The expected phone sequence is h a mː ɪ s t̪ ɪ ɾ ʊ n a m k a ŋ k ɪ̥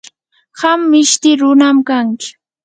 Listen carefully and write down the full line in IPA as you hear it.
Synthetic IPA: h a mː ɪ ʃ t̪ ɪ ɾ ʊ n a m k a ŋ k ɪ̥